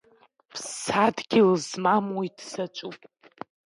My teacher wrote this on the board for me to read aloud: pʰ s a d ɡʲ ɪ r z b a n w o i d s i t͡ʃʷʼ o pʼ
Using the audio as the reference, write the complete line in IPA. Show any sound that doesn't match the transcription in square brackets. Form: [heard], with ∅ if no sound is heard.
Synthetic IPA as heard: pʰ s a d ɡʲ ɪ [l] z [m] a [m] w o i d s [a] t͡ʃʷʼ [u] pʼ